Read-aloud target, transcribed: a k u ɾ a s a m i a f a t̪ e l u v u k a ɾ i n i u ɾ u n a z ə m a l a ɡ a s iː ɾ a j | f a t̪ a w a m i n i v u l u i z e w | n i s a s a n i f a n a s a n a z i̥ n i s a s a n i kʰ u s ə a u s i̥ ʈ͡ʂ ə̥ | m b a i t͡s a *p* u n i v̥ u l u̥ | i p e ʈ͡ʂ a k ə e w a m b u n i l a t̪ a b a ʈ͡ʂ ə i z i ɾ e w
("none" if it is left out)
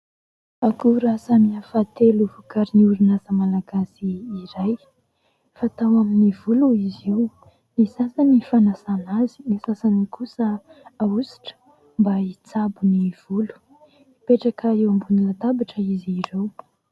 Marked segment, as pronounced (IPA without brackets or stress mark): b